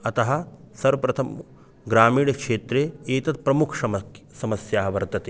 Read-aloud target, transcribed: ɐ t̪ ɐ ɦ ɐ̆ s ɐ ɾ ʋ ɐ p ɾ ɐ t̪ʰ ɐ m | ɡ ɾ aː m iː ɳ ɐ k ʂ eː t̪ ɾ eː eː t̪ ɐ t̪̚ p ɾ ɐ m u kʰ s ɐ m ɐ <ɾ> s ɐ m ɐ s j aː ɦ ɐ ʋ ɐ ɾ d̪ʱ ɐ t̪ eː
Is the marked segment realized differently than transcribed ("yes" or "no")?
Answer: yes